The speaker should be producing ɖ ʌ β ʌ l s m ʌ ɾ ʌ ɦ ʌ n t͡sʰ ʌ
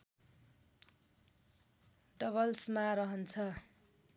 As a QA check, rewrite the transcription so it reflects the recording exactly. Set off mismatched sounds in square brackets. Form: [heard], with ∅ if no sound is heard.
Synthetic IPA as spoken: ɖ ʌ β ʌ l s m [a] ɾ ʌ ɦ ʌ n t͡sʰ ʌ